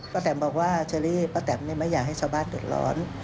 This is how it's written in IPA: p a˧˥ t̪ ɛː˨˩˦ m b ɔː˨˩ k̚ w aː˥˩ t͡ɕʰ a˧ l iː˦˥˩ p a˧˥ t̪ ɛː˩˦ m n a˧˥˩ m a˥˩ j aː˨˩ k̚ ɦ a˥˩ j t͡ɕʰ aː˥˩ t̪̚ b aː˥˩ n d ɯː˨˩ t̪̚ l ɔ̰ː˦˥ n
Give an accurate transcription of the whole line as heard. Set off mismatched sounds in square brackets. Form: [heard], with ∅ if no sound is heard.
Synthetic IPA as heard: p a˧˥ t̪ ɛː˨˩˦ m b ɔː˨˩ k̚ w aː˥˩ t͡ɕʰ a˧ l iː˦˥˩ p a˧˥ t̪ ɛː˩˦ m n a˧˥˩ m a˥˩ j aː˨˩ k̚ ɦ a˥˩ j t͡ɕʰ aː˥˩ [∅] b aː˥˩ n d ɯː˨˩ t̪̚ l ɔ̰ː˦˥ n